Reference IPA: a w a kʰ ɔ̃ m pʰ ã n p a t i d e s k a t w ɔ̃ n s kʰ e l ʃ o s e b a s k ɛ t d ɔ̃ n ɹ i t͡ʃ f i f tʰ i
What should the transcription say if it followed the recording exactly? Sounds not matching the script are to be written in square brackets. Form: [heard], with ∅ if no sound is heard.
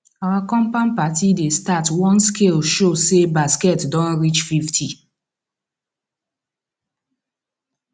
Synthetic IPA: a w a [k] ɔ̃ m [p] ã n p a t i d e s [t] a t w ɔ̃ n s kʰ e l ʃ o s e b a s k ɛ t d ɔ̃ n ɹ i t͡ʃ f i f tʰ i